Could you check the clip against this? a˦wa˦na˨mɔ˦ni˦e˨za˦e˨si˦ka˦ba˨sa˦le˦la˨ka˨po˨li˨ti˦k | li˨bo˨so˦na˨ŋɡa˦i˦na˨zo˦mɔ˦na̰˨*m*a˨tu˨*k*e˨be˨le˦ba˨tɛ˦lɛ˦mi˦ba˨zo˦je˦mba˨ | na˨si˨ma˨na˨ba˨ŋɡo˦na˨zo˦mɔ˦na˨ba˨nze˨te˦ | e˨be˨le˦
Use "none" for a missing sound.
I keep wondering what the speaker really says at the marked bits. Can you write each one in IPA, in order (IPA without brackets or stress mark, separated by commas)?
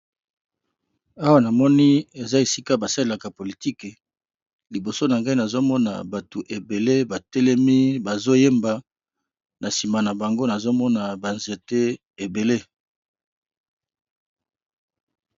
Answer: b, ʔ